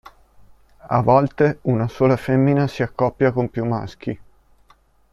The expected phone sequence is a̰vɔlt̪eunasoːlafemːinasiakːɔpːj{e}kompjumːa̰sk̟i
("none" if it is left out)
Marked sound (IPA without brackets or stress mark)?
a